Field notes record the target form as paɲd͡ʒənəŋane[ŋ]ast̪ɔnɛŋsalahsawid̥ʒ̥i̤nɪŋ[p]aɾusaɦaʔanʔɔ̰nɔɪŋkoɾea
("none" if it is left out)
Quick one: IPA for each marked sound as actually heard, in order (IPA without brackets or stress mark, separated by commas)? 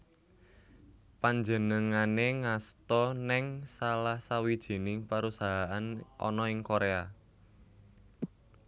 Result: ŋ, p